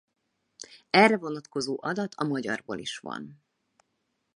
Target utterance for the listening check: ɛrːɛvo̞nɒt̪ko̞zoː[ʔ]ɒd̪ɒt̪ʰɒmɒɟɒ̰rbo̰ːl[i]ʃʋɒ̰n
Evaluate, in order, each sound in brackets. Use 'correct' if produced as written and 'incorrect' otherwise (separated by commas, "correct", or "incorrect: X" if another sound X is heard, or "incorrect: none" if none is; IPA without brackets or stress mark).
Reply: correct, correct